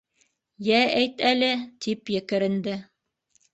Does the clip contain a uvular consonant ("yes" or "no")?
no